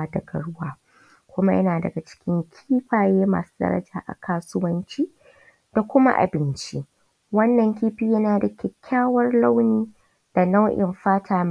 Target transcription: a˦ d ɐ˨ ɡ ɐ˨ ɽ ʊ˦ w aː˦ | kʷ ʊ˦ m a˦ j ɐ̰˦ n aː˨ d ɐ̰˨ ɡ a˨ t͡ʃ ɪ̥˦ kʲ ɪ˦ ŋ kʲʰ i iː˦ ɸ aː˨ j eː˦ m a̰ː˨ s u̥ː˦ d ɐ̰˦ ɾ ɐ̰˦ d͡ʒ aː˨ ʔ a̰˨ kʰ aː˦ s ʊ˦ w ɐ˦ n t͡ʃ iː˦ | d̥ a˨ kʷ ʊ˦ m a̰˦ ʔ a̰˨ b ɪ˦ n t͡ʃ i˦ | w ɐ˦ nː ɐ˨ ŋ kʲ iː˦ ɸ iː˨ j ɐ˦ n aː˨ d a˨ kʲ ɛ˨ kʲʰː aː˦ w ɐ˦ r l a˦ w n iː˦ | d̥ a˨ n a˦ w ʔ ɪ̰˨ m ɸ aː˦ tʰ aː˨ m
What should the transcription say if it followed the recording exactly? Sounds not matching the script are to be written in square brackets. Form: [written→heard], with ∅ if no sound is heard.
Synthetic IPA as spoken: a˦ d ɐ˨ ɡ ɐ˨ ɽ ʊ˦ w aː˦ | kʷ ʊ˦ m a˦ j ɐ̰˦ n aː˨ d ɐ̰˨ ɡ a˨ t͡ʃ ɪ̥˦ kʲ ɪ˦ ŋ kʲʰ i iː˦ ɸ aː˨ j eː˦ m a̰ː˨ s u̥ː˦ d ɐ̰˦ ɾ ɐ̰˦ d͡ʒ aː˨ ʔ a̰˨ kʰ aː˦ s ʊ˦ w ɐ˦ n t͡ʃ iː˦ | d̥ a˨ kʷ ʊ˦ m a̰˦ ʔ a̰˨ b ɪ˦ n t͡ʃ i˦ | w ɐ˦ nː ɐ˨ ŋ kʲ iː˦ ɸ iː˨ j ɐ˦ n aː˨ d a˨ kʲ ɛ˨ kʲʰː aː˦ w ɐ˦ r l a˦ w n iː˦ | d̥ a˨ n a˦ w ʔ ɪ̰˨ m ɸ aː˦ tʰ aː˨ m